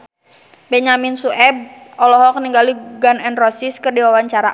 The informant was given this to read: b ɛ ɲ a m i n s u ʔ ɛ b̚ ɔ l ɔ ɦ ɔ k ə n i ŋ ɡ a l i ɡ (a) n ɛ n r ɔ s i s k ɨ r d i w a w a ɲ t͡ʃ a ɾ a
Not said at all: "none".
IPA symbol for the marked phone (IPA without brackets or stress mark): a